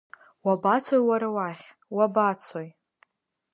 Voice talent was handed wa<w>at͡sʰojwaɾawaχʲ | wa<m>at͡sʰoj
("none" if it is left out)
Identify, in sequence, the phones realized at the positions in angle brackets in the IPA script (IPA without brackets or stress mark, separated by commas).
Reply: b, b